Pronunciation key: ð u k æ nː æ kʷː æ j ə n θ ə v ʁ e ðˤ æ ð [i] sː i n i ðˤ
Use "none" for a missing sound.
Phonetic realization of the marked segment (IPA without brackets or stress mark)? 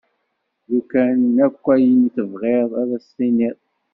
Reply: æ